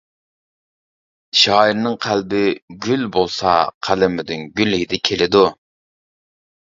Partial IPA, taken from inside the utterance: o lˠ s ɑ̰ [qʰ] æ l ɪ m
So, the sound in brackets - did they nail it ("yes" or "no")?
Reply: yes